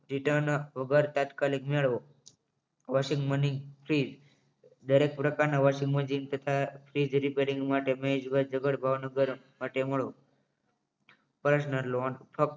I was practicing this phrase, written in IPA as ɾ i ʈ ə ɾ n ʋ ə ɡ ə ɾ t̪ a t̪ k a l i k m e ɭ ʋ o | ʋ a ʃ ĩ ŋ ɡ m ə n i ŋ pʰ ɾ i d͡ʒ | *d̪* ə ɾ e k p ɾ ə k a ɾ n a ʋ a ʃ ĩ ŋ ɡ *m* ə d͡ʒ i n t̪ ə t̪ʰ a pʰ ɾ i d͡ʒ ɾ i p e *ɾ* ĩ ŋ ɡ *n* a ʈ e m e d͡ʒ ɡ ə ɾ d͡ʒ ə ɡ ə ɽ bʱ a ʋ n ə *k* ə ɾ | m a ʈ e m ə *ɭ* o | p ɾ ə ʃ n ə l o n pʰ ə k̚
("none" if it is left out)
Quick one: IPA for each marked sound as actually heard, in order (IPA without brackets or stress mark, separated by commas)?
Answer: d̪, m, ɾ, m, ɡ, ɭ